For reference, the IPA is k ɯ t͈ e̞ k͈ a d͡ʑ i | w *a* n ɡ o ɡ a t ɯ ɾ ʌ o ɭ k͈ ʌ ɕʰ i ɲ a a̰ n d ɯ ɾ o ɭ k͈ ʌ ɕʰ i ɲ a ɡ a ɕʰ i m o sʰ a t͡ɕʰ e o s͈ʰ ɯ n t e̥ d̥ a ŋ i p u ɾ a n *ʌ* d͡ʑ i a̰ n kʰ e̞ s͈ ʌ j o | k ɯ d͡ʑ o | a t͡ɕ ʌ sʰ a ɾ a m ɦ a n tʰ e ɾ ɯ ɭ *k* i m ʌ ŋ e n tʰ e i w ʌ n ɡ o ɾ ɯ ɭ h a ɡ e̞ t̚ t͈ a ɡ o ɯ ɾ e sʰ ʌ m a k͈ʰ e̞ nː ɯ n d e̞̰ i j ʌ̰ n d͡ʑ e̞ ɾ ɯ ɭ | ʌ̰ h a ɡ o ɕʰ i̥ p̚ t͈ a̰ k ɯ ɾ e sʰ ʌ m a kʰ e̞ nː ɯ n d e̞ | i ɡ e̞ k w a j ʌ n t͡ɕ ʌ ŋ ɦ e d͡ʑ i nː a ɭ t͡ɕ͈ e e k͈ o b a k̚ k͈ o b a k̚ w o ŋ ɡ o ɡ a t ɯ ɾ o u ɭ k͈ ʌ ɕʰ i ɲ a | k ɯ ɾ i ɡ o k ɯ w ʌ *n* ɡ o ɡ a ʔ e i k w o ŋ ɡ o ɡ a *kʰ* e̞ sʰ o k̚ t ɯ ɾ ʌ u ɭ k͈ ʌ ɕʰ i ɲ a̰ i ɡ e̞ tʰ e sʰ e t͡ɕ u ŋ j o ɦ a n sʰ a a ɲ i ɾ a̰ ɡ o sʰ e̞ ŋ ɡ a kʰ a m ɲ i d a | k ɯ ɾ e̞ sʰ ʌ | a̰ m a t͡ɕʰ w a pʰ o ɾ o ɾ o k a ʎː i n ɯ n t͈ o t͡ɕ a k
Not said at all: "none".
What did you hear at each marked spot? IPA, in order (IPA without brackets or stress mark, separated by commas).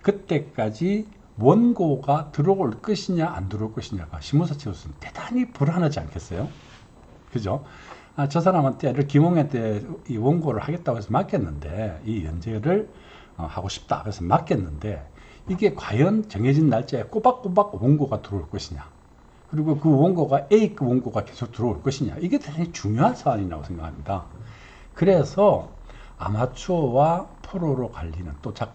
ʌ, a, k, ŋ, k